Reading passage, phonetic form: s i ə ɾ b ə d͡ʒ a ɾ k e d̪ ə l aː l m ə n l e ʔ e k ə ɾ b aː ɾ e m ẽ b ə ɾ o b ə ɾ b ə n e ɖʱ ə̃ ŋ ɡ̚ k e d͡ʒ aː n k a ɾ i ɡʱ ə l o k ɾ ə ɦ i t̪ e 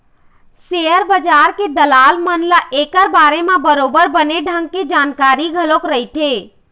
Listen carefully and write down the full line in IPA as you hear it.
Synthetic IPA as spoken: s e ə ɾ b ə d͡ʒ a ɾ k e d̪ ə l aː l m ə n l a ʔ e k ə ɾ b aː ɾ e m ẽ b ə ɾ o b ə ɾ b ə n e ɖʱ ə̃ ŋ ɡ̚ k e d͡ʒ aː n k a ɾ i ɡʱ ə l o k ɾ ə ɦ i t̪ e